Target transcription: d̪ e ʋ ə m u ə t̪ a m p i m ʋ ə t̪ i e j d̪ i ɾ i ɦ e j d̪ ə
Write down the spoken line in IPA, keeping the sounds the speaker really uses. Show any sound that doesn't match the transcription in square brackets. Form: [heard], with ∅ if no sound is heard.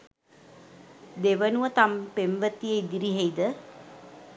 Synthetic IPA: d̪ e ʋ ə [n] u ə t̪ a m p [e] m ʋ ə t̪ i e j d̪ i ɾ i ɦ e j d̪ ə